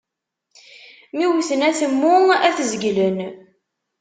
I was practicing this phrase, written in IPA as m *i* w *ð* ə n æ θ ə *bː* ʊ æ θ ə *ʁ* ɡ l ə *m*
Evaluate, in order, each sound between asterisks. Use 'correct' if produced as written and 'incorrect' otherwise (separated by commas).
correct, incorrect, incorrect, incorrect, incorrect